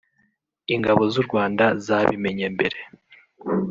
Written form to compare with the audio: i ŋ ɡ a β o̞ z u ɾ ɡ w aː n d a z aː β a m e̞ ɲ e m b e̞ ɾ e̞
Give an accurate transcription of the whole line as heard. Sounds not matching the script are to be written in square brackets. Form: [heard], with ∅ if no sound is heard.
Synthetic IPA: i ŋ ɡ a β o̞ z u ɾ ɡ w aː n d a z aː β [i] m e̞ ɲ e m b e̞ ɾ e̞